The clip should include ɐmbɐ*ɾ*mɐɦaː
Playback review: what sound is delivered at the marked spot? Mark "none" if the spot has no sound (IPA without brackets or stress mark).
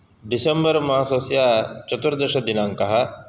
ɾ